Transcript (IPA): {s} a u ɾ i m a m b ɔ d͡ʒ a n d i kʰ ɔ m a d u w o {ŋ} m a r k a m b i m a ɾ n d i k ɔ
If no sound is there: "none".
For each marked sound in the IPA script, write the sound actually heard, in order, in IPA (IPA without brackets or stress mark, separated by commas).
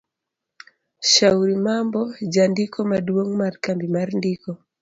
ʃ, ŋ